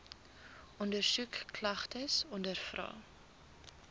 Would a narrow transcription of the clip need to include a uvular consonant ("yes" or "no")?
yes